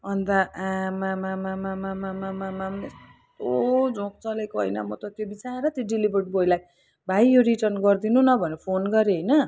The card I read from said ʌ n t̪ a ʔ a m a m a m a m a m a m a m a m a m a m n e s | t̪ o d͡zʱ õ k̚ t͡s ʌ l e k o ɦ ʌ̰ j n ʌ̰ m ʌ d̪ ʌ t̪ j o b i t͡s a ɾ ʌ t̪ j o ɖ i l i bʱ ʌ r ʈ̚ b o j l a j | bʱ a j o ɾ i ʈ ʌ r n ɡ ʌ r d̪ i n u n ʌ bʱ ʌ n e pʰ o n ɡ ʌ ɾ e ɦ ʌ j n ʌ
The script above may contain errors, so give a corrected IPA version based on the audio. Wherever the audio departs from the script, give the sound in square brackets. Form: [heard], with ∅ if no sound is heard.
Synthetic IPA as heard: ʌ n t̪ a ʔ a m a m a m a m a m a m a m a m a m a m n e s | t̪ o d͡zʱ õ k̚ t͡s ʌ l e k o ɦ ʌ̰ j n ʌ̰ m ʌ [t̪] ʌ t̪ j o b i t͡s a ɾ ʌ t̪ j o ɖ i l i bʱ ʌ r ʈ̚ b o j l a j | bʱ a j o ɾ i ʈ ʌ r n ɡ ʌ r d̪ i n u n ʌ bʱ ʌ n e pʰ o n ɡ ʌ ɾ e ɦ ʌ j n ʌ